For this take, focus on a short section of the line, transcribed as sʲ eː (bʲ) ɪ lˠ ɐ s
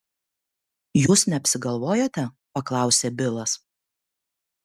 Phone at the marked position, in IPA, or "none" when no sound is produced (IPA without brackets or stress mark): bʲ